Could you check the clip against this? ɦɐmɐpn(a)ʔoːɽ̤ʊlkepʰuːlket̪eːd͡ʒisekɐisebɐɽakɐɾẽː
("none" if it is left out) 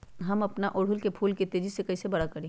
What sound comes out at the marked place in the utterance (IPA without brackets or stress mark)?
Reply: a